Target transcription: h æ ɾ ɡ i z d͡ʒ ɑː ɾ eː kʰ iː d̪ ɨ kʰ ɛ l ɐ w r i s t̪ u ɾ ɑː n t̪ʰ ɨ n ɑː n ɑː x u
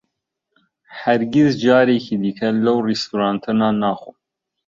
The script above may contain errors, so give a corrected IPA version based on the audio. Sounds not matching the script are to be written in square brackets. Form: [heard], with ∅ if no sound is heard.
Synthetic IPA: h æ ɾ ɡ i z d͡ʒ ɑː ɾ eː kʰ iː d̪ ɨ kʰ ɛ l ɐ w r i s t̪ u ɾ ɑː n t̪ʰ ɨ n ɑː n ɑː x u